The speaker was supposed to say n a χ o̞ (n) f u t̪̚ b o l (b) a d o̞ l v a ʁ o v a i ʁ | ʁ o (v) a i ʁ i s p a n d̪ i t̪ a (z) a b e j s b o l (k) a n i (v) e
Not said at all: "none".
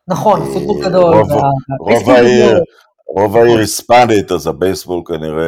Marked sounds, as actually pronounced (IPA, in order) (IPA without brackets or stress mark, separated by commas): n, ɡ, v, z, k, ʁ